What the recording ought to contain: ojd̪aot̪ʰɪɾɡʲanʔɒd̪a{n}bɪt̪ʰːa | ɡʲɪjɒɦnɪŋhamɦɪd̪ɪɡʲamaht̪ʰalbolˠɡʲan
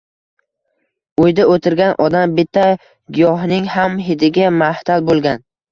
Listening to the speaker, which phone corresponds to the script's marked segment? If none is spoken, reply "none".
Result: m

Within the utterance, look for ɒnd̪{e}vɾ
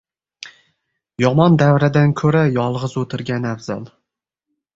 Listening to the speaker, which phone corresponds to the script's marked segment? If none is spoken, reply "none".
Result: a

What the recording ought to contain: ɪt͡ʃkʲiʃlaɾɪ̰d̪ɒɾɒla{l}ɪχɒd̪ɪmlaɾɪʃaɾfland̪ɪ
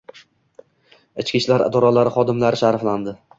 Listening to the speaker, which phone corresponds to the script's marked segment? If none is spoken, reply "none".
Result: ɾ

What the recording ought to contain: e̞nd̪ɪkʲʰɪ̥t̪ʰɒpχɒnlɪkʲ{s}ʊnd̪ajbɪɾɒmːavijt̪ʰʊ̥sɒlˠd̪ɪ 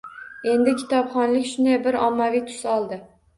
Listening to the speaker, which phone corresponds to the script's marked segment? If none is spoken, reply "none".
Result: ʃ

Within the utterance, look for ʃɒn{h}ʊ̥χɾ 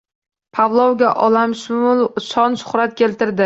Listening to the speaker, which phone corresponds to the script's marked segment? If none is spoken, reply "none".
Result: ʃ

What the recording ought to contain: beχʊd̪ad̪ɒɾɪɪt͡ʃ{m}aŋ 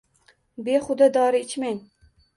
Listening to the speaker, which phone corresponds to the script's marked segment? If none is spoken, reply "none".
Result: m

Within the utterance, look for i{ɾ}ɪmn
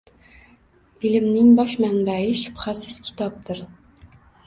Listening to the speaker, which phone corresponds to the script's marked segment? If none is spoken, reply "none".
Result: l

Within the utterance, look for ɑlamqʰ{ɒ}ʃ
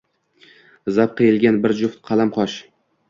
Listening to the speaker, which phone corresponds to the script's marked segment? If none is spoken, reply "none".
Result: ɒ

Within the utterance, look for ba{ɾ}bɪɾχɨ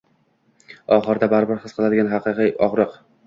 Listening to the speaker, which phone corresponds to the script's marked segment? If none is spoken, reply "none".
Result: ɾ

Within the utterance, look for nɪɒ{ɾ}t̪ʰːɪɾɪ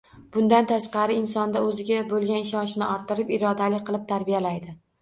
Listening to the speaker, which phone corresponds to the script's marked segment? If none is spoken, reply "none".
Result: ɾ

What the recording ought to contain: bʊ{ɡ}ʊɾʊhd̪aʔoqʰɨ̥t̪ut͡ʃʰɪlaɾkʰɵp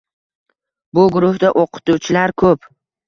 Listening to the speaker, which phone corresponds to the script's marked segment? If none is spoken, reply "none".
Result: ɡ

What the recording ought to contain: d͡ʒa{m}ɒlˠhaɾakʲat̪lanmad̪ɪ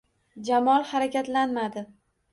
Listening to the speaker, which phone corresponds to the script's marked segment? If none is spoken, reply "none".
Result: m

